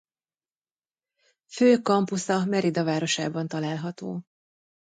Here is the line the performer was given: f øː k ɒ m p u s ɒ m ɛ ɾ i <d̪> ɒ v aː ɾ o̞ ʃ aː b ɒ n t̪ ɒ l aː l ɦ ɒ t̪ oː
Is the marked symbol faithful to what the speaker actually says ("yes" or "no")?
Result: yes